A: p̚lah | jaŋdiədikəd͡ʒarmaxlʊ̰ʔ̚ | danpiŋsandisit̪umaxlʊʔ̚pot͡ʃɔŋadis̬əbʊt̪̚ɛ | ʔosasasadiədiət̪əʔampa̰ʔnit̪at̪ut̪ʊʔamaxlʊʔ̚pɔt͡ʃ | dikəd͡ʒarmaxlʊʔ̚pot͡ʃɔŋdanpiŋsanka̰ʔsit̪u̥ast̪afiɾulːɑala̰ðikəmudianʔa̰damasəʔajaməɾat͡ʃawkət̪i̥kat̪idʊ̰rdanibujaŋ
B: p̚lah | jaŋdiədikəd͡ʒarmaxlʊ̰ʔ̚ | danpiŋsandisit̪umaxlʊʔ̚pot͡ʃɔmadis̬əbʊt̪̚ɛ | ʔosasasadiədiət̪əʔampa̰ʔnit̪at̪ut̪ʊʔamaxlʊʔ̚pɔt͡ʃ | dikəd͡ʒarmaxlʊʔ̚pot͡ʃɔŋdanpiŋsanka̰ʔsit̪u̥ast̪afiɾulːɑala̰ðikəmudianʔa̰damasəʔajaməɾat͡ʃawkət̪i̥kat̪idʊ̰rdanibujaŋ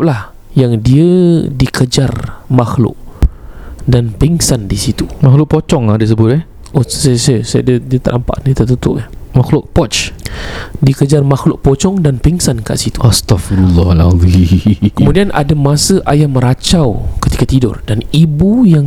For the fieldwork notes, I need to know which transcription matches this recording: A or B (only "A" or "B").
A